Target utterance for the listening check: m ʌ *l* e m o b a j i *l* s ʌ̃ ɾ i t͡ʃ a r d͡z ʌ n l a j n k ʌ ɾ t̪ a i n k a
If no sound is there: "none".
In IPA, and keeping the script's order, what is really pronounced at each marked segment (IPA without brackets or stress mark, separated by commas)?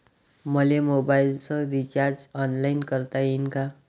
l, l